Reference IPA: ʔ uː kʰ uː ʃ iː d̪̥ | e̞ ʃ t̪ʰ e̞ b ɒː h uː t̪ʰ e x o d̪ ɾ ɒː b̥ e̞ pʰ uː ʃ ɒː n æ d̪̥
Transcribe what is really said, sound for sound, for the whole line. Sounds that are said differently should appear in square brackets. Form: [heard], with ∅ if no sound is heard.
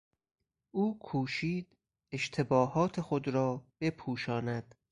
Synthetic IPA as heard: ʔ uː kʰ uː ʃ iː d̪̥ | e̞ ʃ t̪ʰ e̞ b ɒː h [ɒː] t̪ʰ e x o d̪ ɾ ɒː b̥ e̞ pʰ uː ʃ ɒː n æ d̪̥